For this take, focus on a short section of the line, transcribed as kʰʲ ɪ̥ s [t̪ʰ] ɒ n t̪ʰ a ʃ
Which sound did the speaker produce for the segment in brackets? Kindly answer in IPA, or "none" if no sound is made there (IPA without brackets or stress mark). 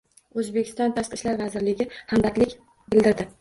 t̪